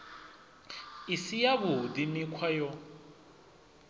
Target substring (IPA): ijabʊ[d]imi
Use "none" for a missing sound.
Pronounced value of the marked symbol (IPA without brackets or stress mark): d